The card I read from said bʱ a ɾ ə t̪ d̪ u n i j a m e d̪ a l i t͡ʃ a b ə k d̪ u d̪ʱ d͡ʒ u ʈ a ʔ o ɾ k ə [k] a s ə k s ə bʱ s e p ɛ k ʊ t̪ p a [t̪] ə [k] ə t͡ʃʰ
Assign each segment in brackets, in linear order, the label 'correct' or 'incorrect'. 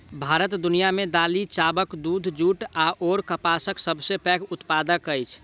incorrect, incorrect, correct

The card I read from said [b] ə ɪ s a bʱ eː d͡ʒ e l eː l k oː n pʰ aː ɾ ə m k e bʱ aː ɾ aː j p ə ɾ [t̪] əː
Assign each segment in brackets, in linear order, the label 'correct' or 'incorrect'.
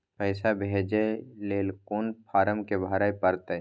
incorrect, correct

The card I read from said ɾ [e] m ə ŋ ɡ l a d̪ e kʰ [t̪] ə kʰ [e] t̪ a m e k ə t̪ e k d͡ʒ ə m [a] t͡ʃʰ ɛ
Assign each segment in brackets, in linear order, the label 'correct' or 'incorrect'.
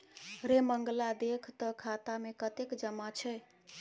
correct, correct, incorrect, correct

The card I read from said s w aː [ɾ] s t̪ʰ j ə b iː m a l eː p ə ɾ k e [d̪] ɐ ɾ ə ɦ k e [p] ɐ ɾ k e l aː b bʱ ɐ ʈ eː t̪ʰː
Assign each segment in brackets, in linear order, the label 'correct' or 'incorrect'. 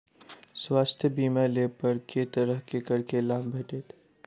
incorrect, incorrect, incorrect

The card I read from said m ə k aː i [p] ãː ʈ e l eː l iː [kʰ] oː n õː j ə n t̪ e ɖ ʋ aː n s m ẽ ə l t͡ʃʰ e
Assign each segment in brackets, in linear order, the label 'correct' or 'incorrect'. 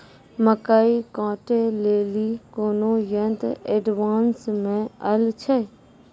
incorrect, incorrect

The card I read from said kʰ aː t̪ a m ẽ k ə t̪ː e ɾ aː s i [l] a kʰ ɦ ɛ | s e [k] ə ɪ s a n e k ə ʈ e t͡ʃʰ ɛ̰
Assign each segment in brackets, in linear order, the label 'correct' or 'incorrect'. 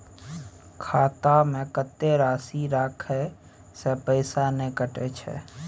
incorrect, incorrect

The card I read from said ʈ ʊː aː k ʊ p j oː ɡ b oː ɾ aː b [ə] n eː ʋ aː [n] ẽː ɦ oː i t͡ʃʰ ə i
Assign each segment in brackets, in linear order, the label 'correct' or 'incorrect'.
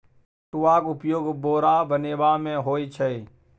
correct, incorrect

